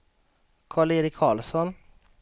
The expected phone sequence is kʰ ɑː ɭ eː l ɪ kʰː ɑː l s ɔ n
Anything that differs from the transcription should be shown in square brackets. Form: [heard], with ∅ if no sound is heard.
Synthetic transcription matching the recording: kʰ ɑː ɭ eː [ɾ] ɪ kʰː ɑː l s ɔ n